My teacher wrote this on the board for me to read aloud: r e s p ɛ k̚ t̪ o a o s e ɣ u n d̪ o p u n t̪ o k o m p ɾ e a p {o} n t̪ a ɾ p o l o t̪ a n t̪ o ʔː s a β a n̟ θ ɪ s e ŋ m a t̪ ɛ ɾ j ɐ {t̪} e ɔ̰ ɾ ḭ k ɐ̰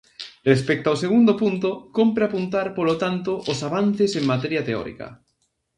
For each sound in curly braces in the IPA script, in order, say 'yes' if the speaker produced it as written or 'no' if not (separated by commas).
no, yes